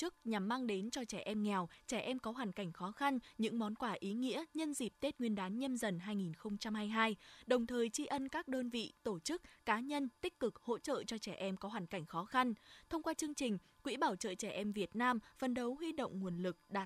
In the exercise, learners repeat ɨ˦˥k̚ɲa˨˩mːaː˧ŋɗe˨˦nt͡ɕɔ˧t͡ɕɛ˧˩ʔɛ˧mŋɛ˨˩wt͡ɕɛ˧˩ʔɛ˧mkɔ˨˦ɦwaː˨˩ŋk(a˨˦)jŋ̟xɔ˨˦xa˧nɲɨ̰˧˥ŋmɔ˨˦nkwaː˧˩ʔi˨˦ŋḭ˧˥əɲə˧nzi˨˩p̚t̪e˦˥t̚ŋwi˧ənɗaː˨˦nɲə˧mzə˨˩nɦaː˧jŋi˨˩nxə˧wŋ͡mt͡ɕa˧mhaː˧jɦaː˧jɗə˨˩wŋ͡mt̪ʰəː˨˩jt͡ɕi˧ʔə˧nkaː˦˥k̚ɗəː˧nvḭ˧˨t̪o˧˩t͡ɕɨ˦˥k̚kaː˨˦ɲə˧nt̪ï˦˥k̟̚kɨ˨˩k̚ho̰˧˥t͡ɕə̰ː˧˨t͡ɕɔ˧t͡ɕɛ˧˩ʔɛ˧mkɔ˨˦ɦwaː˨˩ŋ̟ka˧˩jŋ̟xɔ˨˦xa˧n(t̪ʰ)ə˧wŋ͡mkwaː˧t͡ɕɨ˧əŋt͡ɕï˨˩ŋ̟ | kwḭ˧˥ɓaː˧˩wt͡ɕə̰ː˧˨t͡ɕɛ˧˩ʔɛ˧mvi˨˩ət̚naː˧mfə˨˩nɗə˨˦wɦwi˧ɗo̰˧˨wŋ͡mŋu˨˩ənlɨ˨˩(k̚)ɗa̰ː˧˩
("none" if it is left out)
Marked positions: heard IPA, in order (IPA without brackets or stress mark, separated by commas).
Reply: a˧˩, t̪ʰ, k̚